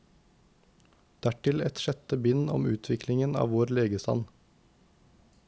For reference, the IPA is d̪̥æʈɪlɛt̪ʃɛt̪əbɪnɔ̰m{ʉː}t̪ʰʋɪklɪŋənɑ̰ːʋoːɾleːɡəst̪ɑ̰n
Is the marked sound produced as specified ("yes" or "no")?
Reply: yes